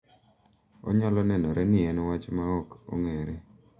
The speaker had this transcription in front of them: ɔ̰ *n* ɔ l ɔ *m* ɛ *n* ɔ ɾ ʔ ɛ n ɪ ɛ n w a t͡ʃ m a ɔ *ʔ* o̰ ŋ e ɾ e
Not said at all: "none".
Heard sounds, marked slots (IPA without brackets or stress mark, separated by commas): ɲ, n, n, k